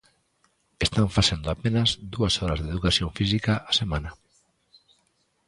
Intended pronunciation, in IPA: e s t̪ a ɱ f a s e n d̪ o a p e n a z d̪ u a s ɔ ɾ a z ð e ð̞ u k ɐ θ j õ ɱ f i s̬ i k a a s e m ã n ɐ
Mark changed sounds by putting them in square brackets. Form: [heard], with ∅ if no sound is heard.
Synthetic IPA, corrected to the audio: e s t̪ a ɱ f a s e n d̪ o a p e n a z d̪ u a s ɔ ɾ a z ð e ð̞ u k [a] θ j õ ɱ f i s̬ i k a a s e m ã n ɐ